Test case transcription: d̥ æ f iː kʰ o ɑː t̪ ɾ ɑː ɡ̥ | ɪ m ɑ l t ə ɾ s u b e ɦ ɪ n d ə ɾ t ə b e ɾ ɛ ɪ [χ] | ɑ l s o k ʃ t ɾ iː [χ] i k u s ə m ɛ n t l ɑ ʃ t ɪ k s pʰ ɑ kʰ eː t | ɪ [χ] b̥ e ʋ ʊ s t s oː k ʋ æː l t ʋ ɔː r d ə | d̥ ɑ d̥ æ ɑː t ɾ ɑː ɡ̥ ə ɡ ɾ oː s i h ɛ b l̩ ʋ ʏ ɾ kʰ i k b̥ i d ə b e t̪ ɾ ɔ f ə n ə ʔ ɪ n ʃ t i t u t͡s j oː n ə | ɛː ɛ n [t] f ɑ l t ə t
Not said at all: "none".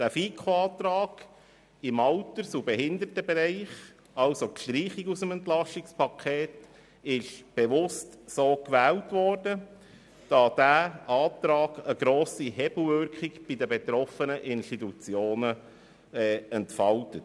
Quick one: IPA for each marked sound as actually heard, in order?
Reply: χ, χ, ʃ, t

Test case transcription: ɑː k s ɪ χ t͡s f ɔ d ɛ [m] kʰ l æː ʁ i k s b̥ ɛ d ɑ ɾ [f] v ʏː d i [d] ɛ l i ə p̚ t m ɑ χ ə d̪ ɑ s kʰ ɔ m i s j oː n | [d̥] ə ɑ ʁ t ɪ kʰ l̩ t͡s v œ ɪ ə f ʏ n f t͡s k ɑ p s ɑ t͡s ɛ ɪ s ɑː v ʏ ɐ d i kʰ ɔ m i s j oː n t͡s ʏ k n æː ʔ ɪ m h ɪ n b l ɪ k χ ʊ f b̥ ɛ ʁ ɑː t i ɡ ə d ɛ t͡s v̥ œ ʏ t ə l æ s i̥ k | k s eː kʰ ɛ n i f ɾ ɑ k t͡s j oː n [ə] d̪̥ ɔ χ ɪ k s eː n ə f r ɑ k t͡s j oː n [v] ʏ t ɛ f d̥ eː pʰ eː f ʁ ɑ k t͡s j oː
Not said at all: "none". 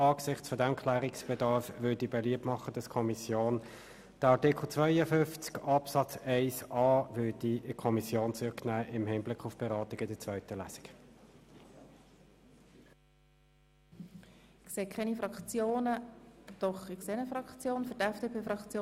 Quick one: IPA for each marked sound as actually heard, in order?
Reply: m, f, b, d̥, ə, f

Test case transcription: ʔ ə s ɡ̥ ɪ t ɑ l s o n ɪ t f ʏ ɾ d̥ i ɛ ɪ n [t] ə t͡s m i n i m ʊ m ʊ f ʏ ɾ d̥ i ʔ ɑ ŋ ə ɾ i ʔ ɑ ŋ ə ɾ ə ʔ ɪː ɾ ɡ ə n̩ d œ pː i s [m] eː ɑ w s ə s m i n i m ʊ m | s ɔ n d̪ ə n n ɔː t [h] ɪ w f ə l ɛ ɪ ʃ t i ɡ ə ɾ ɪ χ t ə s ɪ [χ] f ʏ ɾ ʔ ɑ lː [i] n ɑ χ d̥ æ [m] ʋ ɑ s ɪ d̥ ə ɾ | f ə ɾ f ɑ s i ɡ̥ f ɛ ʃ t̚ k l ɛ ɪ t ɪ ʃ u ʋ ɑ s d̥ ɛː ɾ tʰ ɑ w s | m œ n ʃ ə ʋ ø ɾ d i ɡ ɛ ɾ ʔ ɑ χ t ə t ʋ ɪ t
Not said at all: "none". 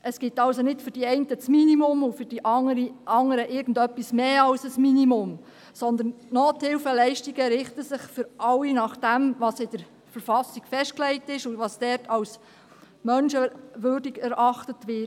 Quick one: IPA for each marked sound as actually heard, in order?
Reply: t, m, h, χ, i, m

